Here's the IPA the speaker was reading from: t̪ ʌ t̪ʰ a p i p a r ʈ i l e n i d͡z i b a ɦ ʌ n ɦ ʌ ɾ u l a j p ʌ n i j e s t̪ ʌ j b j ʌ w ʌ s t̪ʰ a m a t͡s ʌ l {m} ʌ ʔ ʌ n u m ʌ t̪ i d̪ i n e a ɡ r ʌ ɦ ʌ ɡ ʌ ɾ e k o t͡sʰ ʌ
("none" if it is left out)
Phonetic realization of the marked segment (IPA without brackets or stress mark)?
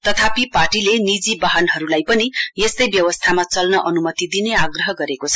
n